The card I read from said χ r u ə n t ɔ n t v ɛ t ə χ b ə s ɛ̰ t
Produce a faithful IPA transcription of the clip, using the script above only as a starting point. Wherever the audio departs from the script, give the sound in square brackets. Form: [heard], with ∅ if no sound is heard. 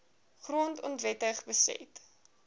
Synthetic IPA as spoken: χ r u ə n t ɔ n t v ɛ t ə χ b ə s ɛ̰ t